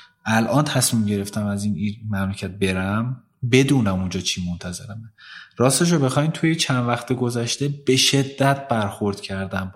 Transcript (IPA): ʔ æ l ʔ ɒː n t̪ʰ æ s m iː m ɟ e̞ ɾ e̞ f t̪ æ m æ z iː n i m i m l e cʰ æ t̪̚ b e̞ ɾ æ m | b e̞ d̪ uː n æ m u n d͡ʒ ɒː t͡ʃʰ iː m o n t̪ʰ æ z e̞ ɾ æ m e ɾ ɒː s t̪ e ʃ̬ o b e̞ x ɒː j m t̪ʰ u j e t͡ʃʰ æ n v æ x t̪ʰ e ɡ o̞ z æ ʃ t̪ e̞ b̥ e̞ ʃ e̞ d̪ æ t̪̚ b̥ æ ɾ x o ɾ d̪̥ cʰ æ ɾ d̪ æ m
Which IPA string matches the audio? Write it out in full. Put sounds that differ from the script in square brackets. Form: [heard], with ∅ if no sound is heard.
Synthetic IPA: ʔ æ l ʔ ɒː n t̪ʰ æ s m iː m ɟ e̞ ɾ e̞ f t̪ æ m æ z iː n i m [æ] m l e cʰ æ t̪̚ b e̞ ɾ æ m | b e̞ d̪ uː n æ m u n d͡ʒ ɒː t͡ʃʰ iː m o n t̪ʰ æ z e̞ ɾ æ m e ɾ ɒː s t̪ e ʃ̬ o b e̞ x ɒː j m t̪ʰ u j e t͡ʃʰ æ n v æ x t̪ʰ e ɡ o̞ z æ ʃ t̪ e̞ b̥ e̞ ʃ e̞ [d̪ː] æ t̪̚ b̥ æ ɾ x o ɾ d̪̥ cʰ æ ɾ d̪ æ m